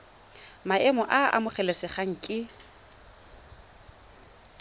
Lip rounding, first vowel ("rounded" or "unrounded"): unrounded